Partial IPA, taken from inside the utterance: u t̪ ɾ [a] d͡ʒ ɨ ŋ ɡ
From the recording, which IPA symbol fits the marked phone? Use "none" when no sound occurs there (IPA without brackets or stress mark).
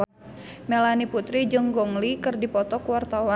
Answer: i